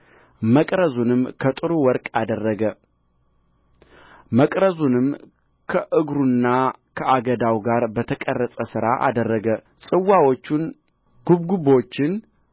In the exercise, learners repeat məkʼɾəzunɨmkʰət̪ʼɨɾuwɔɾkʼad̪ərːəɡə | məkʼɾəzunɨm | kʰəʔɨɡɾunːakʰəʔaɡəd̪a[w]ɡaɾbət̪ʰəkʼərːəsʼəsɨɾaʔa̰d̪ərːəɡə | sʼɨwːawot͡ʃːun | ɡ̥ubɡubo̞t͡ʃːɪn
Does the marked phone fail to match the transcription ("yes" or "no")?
no